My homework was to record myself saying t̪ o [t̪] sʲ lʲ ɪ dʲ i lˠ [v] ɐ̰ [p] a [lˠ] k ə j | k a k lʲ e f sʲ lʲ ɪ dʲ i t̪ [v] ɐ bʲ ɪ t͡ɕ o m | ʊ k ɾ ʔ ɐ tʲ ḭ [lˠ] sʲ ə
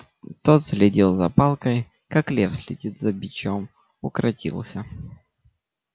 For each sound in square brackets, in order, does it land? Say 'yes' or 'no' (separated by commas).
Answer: yes, no, yes, yes, no, yes